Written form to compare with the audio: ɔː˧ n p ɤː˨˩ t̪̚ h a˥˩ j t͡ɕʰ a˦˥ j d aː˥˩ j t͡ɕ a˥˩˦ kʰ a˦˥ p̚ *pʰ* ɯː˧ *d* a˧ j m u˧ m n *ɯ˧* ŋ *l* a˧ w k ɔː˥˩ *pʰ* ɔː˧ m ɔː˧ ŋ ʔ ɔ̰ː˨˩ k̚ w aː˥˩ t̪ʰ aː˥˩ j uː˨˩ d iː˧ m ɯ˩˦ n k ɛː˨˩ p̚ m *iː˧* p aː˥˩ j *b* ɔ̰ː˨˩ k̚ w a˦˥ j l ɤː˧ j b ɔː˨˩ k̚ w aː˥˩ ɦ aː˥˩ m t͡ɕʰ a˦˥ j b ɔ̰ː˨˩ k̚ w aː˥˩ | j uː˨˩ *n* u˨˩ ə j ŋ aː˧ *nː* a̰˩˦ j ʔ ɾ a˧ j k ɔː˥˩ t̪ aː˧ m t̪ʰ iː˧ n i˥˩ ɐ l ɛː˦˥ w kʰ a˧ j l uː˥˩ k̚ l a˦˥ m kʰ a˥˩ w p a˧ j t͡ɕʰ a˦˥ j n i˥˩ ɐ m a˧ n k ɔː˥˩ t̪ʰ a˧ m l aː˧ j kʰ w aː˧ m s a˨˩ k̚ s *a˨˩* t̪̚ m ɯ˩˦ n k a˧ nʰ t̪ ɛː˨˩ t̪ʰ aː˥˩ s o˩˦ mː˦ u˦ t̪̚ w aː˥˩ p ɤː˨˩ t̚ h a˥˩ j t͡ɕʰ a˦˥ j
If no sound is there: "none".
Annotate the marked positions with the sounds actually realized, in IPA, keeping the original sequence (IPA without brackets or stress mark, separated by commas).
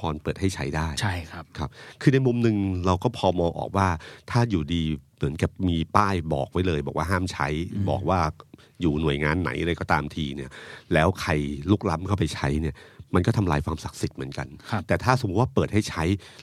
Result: kʰ, n, ɯ˧, ɾ, pʰ, iː˧, b, n, nː, i˨˩